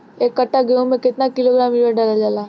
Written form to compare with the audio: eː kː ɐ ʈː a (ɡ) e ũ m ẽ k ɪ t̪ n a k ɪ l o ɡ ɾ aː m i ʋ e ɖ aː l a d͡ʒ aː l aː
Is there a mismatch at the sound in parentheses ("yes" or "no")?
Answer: no